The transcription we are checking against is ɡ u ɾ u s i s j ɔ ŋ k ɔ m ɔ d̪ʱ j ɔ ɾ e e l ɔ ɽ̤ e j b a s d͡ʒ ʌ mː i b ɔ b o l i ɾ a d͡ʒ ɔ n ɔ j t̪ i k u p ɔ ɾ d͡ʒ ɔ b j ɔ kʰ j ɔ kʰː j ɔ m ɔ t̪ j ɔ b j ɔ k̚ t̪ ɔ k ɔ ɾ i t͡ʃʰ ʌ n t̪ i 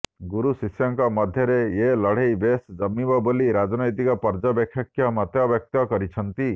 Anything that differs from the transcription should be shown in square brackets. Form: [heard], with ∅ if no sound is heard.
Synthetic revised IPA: ɡ u ɾ u s i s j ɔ ŋ k ɔ m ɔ d̪ʱ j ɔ ɾ e e l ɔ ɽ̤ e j b [e] s d͡ʒ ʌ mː i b ɔ b o l i ɾ a d͡ʒ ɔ n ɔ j t̪ i k [ɔ] p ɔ ɾ d͡ʒ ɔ b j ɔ kʰ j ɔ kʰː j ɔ m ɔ t̪ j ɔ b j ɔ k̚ t̪ ɔ k ɔ ɾ i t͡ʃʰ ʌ n t̪ i